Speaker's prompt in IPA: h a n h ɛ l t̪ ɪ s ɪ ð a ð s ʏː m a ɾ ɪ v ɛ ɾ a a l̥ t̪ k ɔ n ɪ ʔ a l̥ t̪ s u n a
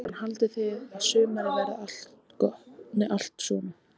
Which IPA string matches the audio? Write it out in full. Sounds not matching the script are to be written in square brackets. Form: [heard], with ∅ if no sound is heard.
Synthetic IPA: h a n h [a] l t̪ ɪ [θ] ɪ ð a ð s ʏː m a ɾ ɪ v ɛ ɾ a a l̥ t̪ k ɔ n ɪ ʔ a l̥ t̪ s [ɔ] n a